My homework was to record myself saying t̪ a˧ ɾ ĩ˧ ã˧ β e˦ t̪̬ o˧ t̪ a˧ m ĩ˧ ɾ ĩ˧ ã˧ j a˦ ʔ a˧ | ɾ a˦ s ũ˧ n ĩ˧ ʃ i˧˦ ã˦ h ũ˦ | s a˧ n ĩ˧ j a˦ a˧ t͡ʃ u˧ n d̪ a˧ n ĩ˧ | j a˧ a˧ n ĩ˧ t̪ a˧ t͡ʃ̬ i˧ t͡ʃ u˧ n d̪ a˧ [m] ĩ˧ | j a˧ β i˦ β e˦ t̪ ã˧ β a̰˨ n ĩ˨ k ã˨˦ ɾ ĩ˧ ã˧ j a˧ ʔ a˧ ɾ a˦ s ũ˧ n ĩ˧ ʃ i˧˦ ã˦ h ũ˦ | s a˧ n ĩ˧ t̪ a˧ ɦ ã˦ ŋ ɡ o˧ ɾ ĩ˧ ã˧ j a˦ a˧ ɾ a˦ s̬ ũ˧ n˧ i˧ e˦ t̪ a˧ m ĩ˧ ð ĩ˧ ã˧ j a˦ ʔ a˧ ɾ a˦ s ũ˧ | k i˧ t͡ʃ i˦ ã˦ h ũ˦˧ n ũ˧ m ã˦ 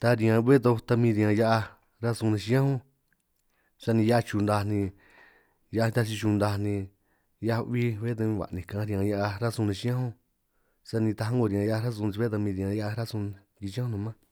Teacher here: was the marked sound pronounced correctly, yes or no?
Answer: no